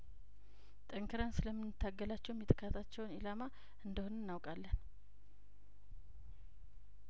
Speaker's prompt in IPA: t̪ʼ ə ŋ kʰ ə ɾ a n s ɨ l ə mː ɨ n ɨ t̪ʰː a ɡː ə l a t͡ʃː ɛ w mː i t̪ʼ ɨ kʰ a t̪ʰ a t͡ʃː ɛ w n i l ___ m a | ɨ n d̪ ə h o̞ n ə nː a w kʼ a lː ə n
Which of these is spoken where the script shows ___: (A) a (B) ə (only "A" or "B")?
A